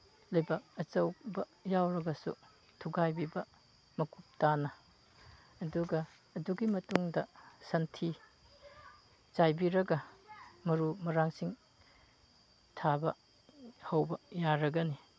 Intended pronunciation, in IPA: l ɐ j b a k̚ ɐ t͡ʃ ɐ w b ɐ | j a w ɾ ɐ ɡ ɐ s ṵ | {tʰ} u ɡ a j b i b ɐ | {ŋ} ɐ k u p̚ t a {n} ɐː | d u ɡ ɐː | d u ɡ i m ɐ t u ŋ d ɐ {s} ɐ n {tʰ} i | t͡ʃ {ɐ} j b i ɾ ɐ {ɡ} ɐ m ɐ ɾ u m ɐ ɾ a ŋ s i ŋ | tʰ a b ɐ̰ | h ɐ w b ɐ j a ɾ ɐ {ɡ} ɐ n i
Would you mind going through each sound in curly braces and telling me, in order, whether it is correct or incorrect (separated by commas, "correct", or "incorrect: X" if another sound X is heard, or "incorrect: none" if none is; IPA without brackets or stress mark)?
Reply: correct, incorrect: m, correct, correct, correct, incorrect: a, correct, correct